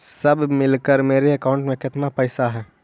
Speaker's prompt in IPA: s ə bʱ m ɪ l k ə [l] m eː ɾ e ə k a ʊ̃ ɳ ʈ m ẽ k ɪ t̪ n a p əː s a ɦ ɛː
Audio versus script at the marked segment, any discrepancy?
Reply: yes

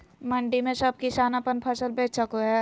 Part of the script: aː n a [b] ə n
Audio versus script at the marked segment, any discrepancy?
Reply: yes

